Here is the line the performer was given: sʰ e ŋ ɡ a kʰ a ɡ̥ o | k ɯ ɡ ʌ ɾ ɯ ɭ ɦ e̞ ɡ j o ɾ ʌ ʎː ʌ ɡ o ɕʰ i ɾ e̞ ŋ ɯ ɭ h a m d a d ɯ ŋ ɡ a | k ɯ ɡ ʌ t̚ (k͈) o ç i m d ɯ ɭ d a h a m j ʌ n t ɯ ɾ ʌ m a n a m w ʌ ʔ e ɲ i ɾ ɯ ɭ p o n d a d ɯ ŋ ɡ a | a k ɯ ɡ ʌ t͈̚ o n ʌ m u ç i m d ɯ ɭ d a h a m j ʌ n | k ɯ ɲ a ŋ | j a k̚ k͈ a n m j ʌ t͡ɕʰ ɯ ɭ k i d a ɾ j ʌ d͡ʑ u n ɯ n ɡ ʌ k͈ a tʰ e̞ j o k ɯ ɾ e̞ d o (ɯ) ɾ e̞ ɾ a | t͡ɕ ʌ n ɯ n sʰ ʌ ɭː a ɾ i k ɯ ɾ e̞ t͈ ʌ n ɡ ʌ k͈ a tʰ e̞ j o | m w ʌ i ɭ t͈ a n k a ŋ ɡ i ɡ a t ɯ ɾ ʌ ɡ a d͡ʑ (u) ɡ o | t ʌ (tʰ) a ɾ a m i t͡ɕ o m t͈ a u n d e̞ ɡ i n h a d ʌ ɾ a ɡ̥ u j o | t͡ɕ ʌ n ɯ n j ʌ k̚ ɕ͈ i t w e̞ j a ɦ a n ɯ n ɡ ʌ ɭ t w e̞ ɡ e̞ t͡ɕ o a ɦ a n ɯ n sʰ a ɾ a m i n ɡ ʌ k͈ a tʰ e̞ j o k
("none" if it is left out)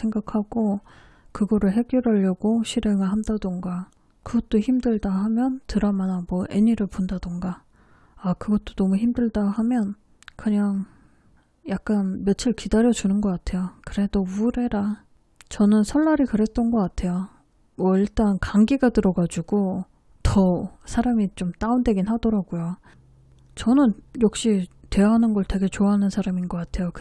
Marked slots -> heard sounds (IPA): t͈, u, u, sʰ

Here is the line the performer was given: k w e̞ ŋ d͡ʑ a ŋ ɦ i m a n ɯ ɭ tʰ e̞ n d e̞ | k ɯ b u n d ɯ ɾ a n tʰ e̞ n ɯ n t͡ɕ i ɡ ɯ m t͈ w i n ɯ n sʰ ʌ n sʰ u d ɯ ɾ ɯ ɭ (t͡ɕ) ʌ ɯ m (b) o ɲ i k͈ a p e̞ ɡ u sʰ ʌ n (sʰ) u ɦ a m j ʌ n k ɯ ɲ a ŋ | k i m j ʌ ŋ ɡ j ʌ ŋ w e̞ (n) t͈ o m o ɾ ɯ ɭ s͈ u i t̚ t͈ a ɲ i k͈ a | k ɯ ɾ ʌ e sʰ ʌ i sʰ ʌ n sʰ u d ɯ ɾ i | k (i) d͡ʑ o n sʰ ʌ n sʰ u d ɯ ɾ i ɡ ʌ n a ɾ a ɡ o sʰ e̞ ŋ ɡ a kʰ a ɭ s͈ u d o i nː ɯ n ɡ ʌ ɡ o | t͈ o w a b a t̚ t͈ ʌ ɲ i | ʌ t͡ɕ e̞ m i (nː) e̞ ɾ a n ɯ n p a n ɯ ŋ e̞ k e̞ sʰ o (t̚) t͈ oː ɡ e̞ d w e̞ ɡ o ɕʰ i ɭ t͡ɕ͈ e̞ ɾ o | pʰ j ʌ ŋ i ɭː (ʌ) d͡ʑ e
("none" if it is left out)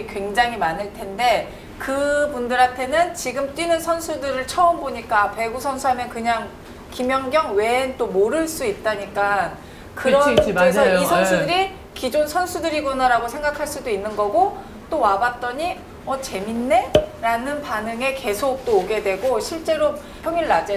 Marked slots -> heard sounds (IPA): t͡ɕʰ, b, sʰ, n, i, nː, k̚, a

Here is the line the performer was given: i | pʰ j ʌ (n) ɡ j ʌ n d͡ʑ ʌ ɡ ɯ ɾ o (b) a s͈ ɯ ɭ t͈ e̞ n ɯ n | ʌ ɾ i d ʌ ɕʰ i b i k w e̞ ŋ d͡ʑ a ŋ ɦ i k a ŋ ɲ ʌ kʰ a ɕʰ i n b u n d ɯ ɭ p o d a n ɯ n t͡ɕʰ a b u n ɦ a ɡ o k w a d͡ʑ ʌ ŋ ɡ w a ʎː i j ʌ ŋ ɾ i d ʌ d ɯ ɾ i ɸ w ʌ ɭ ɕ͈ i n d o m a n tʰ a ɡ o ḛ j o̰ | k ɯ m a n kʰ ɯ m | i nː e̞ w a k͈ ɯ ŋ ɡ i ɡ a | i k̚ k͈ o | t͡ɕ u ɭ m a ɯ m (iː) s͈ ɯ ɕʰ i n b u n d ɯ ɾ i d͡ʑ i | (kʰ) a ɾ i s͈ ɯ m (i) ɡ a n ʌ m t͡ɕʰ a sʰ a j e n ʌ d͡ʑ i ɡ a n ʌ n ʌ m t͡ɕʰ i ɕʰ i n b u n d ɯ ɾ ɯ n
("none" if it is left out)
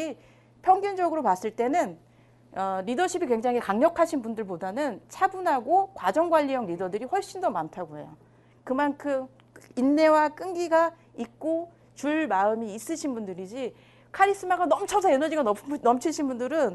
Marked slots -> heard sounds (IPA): ŋ, p, iː, kʰ, a

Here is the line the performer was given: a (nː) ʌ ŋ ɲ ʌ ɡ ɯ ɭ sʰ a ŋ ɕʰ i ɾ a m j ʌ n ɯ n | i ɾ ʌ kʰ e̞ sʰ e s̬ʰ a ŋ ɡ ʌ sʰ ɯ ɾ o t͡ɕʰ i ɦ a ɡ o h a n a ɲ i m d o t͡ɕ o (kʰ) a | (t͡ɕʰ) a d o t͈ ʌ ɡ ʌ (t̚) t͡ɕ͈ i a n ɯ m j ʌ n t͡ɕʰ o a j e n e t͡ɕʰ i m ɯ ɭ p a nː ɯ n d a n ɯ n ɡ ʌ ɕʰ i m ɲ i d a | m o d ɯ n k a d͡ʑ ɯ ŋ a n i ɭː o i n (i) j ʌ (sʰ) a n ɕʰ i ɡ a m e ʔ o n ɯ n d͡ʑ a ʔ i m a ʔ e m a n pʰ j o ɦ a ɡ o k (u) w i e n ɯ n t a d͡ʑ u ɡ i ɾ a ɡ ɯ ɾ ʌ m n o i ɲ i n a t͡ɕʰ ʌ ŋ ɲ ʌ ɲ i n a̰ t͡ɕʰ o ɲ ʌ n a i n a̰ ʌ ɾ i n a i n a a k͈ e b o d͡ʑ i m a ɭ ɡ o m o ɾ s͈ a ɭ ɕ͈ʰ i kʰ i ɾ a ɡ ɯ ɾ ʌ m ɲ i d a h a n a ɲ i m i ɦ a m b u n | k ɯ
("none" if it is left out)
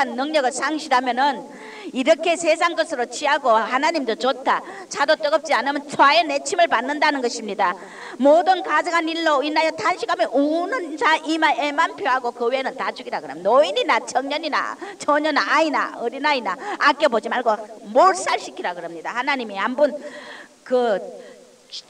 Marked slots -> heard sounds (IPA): nː, tʰ, t͡ɕʰ, p̚, a, tʰ, ɯ

